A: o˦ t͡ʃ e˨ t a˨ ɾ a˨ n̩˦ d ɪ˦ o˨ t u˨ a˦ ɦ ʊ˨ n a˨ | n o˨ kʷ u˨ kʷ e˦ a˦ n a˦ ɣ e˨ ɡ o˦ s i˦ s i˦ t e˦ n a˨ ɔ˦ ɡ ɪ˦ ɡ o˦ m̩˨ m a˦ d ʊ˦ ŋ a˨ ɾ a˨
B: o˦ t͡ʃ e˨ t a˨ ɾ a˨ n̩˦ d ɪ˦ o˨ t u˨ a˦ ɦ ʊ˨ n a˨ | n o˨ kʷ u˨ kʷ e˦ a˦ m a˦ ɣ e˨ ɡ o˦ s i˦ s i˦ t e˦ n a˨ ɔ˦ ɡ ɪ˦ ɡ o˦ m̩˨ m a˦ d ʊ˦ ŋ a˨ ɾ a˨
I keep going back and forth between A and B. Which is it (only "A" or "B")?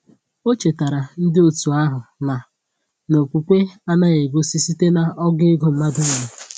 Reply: A